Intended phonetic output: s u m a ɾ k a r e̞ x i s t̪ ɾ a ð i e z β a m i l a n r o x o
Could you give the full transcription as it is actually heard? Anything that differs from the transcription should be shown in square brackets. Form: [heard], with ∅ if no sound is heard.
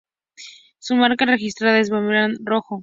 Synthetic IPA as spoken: s u m a ɾ k a r e̞ x i s t̪ ɾ a ð [a] e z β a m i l a n r o x o